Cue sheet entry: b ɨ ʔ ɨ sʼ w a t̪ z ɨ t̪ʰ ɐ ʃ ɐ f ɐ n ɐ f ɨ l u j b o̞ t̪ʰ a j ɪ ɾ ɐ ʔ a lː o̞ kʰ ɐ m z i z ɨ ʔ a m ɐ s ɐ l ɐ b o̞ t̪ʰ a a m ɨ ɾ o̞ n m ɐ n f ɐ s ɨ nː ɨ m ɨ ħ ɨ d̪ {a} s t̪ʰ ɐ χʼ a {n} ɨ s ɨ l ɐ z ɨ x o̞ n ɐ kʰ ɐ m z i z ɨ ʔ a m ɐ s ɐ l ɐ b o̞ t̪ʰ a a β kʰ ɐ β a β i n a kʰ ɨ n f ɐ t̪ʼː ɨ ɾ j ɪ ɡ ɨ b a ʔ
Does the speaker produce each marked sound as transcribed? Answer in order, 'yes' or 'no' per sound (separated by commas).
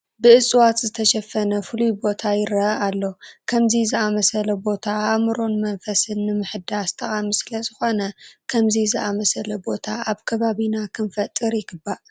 yes, no